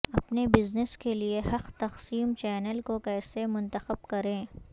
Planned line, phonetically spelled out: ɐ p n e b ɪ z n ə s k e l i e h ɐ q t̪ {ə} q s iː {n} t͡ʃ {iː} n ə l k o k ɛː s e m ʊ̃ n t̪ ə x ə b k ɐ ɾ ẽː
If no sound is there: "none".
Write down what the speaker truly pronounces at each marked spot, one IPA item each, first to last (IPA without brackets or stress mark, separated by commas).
ɐ, m, ɛː